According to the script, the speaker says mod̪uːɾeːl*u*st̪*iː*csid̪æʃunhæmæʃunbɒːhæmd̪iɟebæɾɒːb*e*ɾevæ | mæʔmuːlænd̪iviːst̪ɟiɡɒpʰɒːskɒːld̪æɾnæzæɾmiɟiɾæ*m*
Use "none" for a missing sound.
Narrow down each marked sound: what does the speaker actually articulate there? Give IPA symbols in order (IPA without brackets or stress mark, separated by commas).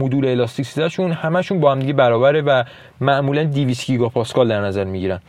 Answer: ɒ, i, æ, n